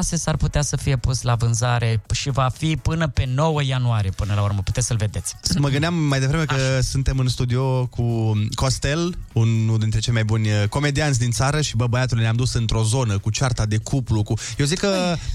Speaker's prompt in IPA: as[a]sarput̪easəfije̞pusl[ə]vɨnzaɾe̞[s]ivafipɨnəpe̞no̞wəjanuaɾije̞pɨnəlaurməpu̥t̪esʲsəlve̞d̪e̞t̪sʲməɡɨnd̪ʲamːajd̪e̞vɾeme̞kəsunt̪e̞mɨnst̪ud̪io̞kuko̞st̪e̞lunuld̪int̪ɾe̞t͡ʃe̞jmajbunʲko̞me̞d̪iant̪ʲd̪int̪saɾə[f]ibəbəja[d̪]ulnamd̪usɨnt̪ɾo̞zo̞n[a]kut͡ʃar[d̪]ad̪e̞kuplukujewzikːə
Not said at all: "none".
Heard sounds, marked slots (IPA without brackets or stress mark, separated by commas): e, a, ʃ, ʃ, t̪, ə, t̪